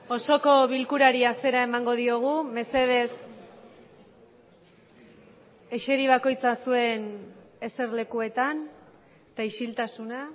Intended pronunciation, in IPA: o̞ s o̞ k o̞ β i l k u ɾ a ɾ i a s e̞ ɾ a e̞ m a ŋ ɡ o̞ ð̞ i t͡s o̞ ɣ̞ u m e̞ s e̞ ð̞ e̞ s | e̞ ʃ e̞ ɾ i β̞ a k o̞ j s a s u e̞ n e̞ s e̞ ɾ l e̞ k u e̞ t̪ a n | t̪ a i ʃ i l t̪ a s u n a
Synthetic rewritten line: o̞ s o̞ k o̞ β i l k u ɾ a ɾ i a s e̞ ɾ a e̞ m a ŋ ɡ o̞ ð̞ i o̞ ɣ̞ u m e̞ s e̞ ð̞ e̞ s | e̞ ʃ e̞ ɾ i β̞ a k o̞ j t͡s a s u e̞ n e̞ s e̞ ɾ l e̞ k u e̞ t̪ a n | t̪ a i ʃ i l t̪ a s u n a